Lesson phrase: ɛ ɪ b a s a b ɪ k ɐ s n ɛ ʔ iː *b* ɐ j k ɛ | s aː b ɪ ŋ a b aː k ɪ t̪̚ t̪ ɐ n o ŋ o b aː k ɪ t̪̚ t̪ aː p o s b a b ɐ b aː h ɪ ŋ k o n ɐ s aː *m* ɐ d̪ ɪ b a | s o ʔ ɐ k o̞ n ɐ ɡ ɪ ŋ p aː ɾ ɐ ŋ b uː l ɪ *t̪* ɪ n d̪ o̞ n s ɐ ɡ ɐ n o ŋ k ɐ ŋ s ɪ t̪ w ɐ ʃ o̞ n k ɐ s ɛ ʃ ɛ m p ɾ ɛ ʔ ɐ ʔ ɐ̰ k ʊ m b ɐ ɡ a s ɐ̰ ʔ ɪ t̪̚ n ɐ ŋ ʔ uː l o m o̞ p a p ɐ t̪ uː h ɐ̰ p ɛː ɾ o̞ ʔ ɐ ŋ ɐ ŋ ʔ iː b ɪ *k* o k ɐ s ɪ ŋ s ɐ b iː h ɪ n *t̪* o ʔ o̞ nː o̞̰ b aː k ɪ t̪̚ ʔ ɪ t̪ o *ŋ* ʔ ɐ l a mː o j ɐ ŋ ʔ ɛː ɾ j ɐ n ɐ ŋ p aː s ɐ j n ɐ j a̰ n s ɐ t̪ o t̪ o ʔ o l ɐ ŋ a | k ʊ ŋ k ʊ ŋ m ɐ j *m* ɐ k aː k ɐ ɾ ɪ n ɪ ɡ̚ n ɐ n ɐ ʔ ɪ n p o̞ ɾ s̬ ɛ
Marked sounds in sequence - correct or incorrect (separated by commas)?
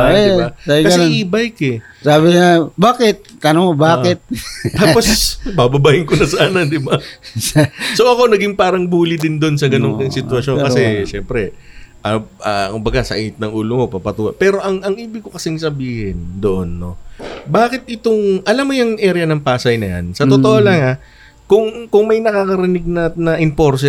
correct, incorrect, incorrect, correct, incorrect, correct, incorrect